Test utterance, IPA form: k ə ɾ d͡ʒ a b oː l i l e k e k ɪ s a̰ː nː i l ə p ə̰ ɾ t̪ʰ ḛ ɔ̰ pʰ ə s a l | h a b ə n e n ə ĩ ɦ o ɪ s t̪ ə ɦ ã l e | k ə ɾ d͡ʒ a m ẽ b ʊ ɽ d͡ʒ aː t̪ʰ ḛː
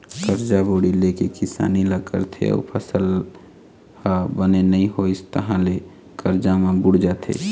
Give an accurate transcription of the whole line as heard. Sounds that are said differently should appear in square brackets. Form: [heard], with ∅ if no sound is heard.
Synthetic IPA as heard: k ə ɾ d͡ʒ a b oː [ɽ] i l e k e k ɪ s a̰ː [n] i l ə [k] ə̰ ɾ t̪ʰ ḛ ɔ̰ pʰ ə s [ə] l | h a b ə n e n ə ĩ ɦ o ɪ s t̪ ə ɦ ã l e | k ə ɾ d͡ʒ a m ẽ b ʊ ɽ d͡ʒ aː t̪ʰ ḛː